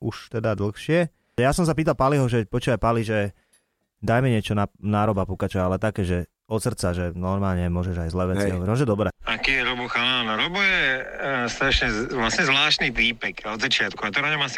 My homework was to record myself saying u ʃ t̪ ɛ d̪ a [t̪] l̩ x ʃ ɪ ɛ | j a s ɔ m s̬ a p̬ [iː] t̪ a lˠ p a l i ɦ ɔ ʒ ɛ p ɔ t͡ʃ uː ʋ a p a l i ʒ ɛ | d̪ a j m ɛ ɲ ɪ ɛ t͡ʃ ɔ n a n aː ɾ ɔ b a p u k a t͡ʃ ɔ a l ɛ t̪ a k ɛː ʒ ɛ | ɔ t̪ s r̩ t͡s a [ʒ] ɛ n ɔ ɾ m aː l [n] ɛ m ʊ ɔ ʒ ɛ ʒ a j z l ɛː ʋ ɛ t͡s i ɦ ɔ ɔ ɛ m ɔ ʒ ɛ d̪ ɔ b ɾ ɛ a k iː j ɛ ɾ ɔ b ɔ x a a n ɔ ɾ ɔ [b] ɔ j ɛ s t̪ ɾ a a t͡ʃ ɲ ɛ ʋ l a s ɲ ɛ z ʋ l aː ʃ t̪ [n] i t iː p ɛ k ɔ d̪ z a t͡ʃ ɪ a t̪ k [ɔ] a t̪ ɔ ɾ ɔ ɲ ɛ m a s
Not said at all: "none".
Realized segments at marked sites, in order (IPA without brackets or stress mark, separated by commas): d̪, iː, ʒ, ɲ, b, n, u